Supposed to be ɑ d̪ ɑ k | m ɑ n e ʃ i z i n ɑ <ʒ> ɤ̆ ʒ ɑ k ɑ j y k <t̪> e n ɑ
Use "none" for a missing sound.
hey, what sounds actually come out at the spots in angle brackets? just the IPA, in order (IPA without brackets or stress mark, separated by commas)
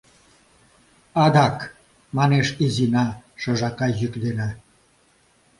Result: ʃ, d̪